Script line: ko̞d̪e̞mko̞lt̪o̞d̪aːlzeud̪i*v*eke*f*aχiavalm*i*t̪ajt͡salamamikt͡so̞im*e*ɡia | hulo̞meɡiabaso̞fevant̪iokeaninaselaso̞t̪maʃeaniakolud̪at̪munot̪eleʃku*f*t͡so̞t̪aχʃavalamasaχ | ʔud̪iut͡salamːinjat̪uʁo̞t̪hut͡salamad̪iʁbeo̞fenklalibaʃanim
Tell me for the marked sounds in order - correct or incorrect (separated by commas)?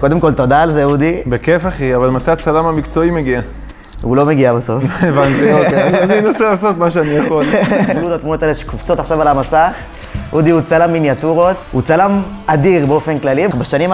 incorrect, correct, incorrect, correct, correct